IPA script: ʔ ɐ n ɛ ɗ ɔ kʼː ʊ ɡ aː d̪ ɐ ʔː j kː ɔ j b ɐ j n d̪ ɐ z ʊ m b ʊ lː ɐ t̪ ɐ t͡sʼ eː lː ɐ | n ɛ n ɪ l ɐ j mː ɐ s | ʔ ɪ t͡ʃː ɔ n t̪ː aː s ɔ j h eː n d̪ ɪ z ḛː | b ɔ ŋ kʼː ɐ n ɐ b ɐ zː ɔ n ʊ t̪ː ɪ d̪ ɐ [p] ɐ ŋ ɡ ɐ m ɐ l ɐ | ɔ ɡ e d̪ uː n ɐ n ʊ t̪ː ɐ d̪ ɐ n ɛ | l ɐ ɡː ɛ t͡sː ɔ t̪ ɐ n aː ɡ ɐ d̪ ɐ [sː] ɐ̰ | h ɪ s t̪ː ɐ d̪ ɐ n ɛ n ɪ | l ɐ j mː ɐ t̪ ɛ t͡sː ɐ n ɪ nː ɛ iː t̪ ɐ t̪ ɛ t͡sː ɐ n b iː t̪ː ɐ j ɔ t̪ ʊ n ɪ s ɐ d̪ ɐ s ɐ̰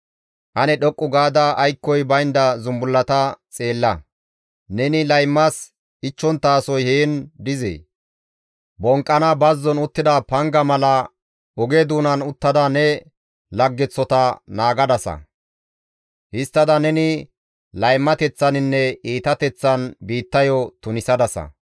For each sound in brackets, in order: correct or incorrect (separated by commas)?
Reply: correct, incorrect